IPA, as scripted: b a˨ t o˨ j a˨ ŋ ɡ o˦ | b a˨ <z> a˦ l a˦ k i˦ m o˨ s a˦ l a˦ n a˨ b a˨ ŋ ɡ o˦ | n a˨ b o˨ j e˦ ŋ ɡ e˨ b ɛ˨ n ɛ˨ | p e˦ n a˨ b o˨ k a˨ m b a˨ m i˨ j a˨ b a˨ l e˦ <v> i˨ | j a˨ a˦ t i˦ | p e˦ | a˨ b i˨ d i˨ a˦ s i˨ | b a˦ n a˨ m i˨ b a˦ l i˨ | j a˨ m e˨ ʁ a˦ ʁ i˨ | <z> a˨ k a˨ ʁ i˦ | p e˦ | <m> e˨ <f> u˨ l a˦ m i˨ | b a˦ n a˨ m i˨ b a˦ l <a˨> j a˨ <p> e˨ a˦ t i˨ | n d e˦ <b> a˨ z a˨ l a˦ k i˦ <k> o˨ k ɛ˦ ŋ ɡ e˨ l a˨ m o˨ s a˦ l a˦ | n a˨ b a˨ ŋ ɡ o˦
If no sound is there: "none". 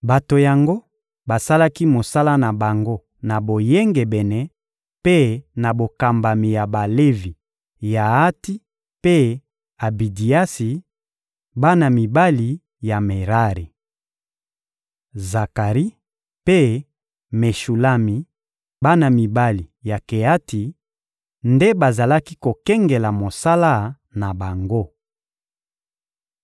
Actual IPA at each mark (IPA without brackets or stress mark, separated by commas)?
s, v, z, m, ʃ, i˨, k, b, k